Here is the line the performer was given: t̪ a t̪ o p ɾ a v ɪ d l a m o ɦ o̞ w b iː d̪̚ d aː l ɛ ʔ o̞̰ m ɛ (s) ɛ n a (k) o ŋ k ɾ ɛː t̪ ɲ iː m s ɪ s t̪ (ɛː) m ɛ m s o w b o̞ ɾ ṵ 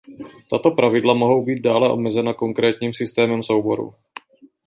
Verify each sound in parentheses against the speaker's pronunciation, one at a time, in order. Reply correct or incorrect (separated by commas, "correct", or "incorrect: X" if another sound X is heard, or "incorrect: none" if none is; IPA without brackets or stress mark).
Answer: incorrect: z, correct, correct